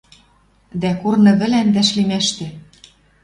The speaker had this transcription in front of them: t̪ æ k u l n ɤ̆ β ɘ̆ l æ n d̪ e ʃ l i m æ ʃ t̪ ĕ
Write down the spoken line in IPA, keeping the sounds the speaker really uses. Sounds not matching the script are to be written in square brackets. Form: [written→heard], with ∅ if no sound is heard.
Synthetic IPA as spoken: [t̪→d̪] æ k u [l→r] n ɤ̆ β ɘ̆ l æ n d̪ [e→æ] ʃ l i m æ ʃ t̪ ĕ